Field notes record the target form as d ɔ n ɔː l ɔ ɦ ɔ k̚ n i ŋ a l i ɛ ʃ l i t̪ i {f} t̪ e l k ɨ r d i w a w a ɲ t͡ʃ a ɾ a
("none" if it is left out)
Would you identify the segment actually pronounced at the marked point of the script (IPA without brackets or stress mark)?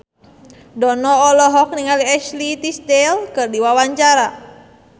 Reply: s